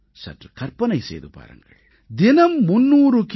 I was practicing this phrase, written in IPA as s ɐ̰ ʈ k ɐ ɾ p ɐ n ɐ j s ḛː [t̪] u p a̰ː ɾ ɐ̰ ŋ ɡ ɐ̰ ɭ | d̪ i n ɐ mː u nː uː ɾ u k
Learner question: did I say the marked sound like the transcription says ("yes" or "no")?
no